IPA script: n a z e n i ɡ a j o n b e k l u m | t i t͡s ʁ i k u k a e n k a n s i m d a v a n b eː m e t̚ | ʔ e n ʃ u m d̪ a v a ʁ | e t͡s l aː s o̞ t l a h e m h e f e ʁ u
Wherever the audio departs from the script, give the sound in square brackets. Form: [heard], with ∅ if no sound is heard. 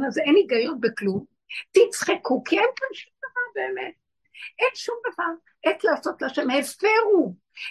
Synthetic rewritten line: n a z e n i ɡ a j o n b e k l u m | t i t͡s [χ] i k u k [i] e n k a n [ʃ] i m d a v a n b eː m e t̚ | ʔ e n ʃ u m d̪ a v a ʁ | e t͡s l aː s o̞ t l a [ʃ] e m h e f e ʁ u